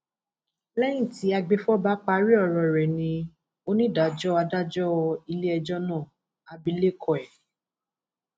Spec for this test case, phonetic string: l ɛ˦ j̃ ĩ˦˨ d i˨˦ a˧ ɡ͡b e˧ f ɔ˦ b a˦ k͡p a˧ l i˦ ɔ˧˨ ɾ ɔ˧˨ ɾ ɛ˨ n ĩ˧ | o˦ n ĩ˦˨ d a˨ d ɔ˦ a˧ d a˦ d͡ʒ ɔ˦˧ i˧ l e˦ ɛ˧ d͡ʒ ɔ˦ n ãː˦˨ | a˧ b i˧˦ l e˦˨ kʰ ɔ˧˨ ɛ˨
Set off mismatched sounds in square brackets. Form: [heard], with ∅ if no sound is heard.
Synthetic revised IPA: l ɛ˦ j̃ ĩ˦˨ [t] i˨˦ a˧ ɡ͡b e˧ f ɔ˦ b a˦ k͡p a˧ [ɾ] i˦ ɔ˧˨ ɾ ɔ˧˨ ɾ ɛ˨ n ĩ˧ | o˦ n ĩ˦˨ d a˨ [d͡ʒ] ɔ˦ a˧ d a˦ d͡ʒ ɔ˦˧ i˧ l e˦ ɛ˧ d͡ʒ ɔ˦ n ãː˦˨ | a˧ b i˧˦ l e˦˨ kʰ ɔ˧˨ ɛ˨